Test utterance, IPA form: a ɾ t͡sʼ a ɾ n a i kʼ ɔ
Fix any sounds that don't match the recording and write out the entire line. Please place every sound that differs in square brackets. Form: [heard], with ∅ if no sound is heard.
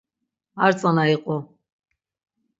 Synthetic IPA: a ɾ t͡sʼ a [∅] n a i [qʼ] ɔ